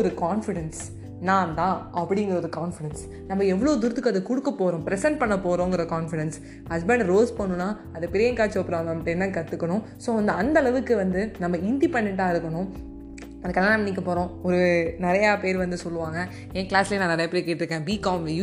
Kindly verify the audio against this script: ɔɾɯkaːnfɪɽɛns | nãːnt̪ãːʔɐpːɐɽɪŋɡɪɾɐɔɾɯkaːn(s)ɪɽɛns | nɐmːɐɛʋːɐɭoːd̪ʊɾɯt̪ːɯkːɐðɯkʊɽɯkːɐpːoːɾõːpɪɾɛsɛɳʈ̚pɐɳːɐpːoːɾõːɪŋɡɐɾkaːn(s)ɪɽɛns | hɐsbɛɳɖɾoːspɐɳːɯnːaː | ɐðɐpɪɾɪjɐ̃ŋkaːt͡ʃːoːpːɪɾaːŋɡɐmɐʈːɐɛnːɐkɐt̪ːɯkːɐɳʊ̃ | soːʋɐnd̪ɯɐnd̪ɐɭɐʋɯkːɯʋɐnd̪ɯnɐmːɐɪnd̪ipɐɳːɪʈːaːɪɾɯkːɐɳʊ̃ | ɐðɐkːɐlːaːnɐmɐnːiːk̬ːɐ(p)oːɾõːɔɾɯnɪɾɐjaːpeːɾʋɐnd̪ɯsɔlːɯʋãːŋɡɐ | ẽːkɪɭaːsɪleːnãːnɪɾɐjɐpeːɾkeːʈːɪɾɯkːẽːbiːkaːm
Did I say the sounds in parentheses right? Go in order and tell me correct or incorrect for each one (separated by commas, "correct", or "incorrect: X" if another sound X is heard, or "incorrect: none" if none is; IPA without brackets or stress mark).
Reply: incorrect: f, incorrect: f, correct